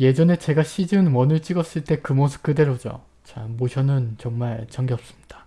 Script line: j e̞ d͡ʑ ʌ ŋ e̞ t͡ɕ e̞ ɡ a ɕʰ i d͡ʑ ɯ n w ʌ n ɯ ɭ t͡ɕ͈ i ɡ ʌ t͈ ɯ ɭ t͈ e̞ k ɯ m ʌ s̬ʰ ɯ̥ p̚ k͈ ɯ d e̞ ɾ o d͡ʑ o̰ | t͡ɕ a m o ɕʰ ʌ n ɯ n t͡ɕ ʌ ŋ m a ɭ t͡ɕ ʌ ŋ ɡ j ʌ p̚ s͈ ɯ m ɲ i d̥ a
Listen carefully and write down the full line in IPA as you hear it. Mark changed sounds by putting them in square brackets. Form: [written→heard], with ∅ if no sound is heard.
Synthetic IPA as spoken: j e̞ d͡ʑ ʌ [ŋ→n] e̞ t͡ɕ e̞ ɡ a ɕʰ i d͡ʑ ɯ n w ʌ n ɯ ɭ t͡ɕ͈ i ɡ ʌ [t͈→s͈] ɯ ɭ t͈ e̞ k ɯ m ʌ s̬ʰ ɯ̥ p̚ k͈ ɯ d e̞ ɾ o d͡ʑ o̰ | t͡ɕ a m o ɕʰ ʌ n ɯ n t͡ɕ ʌ ŋ m a ɭ t͡ɕ ʌ ŋ ɡ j ʌ p̚ s͈ ɯ m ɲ i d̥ a